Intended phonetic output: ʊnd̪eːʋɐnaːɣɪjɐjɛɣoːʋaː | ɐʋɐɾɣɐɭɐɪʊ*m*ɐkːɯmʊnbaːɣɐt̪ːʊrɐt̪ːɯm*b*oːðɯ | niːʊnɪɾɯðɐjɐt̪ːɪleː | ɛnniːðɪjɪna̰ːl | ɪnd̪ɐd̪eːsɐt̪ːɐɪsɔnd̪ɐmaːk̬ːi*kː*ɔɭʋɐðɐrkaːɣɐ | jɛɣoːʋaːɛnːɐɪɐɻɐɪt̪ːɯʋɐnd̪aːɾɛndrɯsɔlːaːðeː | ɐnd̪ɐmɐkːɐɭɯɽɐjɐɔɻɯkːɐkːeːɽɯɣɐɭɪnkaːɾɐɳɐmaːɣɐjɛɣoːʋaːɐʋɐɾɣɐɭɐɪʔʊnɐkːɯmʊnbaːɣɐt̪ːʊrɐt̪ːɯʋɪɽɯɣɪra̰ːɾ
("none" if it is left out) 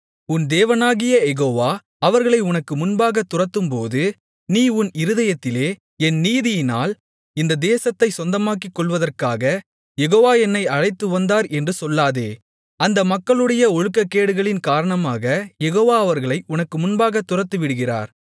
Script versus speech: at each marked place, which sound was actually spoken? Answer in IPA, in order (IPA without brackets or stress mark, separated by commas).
n, p, kː